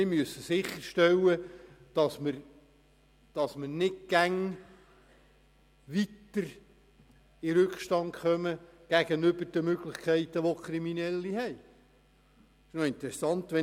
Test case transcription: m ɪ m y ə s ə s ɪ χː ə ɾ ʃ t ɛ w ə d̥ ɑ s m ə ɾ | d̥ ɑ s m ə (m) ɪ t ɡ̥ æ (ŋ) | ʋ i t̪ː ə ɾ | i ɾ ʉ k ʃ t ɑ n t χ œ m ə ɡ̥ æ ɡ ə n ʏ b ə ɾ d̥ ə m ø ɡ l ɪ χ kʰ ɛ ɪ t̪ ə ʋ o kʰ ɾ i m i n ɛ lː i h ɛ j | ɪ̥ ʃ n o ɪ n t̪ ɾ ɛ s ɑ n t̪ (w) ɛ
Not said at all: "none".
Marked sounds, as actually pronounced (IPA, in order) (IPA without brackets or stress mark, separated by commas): n, ŋ, ʋ